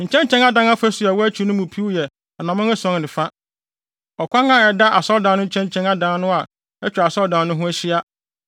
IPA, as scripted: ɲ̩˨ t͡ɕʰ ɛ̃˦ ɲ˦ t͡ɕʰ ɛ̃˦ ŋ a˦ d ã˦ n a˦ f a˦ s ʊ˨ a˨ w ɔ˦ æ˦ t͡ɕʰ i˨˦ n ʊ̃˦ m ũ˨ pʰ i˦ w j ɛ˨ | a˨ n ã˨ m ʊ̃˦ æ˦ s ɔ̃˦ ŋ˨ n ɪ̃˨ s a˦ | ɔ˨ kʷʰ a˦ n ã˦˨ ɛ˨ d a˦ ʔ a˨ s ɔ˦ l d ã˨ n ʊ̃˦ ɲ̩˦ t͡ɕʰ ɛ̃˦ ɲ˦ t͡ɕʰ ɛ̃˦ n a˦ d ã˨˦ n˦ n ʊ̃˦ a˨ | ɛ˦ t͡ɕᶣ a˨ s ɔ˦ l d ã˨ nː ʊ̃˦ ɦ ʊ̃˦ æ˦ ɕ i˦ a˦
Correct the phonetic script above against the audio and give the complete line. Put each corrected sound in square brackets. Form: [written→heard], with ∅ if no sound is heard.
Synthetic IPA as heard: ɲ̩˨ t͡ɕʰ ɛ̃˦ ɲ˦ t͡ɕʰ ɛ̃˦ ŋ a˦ d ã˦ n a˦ f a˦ s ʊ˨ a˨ w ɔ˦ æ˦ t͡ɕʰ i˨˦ n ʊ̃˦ m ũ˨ pʰ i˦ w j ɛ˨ | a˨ n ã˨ m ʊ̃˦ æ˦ s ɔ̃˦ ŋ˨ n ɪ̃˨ [s→f] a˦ | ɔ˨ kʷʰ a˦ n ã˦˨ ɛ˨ d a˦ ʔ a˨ s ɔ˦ l d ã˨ n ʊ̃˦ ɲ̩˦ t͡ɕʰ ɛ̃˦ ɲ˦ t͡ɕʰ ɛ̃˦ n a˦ d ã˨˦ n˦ n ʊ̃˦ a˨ | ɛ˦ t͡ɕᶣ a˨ s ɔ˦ l d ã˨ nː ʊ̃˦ ɦ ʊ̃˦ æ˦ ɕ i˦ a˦